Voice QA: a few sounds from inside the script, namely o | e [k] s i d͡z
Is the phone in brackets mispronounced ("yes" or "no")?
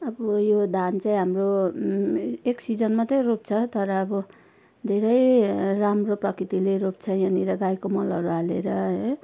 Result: no